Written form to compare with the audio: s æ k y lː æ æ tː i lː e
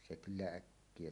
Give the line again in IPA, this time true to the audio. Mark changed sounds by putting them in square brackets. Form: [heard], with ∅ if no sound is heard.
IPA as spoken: s [e] k y lː æ æ [kː] i [∅] e